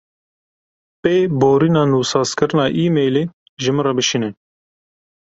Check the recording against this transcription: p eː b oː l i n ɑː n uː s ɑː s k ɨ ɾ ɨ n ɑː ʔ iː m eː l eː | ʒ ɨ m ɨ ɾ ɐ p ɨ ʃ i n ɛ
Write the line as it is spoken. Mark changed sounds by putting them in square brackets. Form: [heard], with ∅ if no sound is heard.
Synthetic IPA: p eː b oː [ɾ] i n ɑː n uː s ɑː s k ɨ ɾ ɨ n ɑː ʔ iː m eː l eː | ʒ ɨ m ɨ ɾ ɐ [b] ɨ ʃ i n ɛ